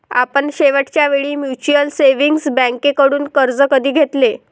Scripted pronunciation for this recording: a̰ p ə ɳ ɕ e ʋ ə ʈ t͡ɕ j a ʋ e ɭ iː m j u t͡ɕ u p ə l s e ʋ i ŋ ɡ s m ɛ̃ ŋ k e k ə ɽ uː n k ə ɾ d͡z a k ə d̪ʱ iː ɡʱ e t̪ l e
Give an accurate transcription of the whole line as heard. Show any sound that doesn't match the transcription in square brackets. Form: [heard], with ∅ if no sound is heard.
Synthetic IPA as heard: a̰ p ə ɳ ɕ e ʋ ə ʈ t͡ɕ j a ʋ e ɭ iː m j u t͡ɕ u [∅] ə l s e ʋ i ŋ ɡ s [b] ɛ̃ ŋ k e k ə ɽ uː n k ə ɾ d͡z [ə] k ə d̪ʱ iː ɡʱ e t̪ l e